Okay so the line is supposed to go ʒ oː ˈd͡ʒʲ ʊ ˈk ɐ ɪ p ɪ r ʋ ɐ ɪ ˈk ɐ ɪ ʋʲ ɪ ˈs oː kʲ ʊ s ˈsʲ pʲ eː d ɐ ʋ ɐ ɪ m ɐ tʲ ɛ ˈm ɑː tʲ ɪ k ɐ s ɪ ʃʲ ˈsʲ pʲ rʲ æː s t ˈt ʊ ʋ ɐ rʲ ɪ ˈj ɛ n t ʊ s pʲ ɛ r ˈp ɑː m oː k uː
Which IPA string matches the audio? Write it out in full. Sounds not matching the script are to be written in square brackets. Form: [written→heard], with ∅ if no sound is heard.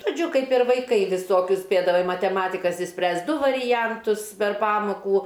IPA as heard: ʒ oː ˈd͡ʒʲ ʊ ˈk ɐ ɪ p ɪ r ʋ ɐ ɪ ˈk ɐ ɪ ʋʲ ɪ ˈs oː kʲ ʊ s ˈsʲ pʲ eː d ɐ ʋ ɐ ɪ m ɐ tʲ ɛ ˈm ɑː tʲ ɪ k ɐ s ɪ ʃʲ ˈsʲ pʲ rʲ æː s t [ˈt→ˈd] ʊ ʋ ɐ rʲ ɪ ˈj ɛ n t ʊ s pʲ ɛ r ˈp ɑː m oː k uː